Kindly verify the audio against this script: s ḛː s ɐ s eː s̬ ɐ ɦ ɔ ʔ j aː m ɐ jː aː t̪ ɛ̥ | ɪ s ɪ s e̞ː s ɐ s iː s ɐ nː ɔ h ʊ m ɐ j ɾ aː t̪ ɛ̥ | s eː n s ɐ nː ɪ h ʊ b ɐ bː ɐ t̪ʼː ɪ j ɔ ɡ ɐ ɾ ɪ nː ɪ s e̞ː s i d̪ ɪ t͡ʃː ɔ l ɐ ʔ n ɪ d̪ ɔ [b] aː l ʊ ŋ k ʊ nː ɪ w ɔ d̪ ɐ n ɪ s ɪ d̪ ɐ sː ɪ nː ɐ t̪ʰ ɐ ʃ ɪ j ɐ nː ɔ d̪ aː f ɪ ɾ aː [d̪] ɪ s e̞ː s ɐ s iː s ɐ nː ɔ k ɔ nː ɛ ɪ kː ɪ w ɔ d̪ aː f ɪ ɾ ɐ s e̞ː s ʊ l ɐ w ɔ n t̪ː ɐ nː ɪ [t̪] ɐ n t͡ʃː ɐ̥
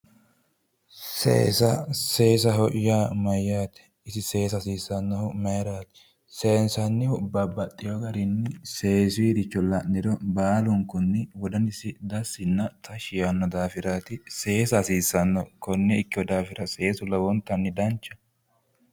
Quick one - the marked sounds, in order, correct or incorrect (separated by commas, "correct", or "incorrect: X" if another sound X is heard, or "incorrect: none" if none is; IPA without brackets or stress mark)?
correct, incorrect: t̪, incorrect: d̪